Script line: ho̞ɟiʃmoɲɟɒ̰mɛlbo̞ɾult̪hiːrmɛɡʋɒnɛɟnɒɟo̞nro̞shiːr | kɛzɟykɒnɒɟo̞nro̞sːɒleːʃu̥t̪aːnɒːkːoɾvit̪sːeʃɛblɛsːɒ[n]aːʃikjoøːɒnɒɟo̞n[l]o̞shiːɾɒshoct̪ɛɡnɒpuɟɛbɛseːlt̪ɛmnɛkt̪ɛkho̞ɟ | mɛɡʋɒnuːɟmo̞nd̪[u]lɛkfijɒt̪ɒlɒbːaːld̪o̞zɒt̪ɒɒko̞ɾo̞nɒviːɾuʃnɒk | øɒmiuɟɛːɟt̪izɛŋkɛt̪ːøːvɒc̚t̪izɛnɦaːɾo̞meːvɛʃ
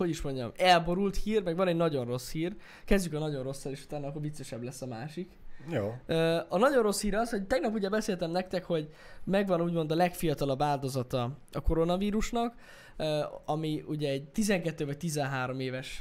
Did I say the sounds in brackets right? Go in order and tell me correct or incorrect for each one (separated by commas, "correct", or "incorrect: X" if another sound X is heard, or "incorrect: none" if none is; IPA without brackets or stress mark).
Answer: incorrect: m, incorrect: r, incorrect: ɒ